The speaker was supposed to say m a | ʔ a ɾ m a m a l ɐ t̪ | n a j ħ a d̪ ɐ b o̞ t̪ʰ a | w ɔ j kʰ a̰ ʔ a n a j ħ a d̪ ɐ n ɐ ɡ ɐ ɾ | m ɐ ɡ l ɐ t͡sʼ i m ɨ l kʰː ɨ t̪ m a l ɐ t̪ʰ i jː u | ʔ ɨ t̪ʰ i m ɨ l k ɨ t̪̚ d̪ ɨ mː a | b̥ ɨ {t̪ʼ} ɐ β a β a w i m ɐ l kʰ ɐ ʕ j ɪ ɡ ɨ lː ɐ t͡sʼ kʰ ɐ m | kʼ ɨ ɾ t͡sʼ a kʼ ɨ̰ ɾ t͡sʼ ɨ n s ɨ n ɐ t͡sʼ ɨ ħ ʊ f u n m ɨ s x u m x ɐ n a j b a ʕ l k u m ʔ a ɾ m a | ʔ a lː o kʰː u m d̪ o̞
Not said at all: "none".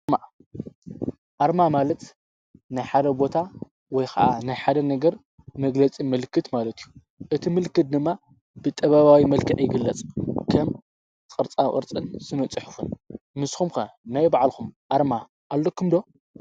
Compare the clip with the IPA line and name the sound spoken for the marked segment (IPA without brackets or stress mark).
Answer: t̪ʼ